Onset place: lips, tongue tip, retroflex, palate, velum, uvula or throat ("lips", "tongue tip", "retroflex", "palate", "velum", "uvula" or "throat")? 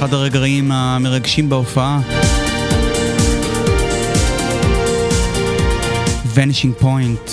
tongue tip